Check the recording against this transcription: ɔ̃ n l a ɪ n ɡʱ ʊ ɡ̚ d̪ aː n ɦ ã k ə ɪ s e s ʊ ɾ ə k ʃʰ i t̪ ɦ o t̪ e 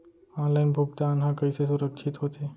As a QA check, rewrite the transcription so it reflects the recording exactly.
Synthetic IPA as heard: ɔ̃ n l a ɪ n bʱ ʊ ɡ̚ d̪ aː n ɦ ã k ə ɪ s e s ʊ ɾ ə k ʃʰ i t̪ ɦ o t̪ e